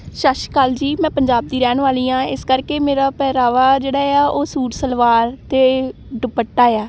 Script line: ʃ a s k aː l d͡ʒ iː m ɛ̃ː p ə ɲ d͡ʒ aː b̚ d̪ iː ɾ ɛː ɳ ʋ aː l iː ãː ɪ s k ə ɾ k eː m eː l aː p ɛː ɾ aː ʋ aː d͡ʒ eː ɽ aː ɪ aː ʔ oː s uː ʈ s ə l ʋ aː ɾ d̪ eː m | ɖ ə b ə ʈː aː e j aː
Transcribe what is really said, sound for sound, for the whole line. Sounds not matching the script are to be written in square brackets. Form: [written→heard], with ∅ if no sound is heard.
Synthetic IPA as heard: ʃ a [s→ʃ] k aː l d͡ʒ iː m ɛ̃ː p ə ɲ d͡ʒ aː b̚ d̪ iː ɾ ɛː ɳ ʋ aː l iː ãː ɪ s k ə ɾ k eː m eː [l→ɾ] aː p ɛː ɾ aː ʋ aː d͡ʒ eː ɽ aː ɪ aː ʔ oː s uː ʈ s ə l ʋ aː ɾ [d̪→t̪] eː [m→∅] | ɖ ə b ə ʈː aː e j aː